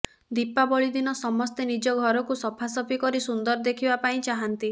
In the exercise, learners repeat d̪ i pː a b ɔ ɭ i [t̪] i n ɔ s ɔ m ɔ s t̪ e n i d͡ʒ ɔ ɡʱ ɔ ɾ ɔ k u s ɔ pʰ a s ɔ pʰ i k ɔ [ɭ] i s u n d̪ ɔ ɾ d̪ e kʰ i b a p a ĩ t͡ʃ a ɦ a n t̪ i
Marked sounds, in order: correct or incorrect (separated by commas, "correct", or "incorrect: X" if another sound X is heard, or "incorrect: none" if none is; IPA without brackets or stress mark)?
incorrect: d̪, incorrect: ɾ